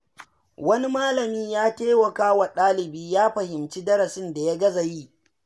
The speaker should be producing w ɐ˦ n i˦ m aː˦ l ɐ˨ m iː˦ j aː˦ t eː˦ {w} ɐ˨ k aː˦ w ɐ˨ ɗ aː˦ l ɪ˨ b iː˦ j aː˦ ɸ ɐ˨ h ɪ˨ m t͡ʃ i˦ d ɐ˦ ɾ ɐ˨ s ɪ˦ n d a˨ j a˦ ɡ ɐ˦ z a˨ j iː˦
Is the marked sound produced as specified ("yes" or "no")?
yes